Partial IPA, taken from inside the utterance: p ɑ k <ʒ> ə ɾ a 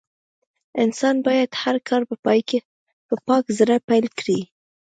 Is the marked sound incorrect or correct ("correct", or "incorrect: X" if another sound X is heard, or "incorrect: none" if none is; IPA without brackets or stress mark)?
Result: incorrect: z